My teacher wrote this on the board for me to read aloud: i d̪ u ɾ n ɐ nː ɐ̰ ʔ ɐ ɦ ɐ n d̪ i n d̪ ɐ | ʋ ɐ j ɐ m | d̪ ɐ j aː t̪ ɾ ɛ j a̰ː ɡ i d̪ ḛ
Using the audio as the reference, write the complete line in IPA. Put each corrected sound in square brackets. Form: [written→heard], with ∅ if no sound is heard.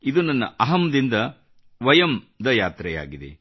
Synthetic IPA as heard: i d̪ u [ɾ→∅] n ɐ nː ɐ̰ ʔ ɐ ɦ ɐ [n→m] d̪ i n d̪ ɐ | ʋ ɐ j ɐ m | d̪ ɐ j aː t̪ ɾ ɛ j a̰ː ɡ i d̪ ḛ